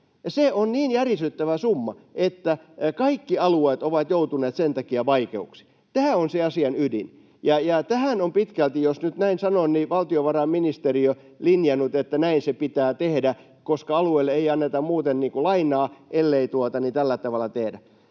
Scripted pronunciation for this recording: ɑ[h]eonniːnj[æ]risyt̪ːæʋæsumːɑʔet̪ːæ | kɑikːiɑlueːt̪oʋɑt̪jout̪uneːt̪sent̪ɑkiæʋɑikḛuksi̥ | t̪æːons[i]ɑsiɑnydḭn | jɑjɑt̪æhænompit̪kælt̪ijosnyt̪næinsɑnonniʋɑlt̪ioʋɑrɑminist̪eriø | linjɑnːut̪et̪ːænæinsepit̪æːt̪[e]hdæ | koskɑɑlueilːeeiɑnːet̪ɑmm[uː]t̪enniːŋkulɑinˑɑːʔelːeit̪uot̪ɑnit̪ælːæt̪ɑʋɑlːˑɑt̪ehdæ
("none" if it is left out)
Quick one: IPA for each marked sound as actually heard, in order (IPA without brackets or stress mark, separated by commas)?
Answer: s, æ, e, e, uː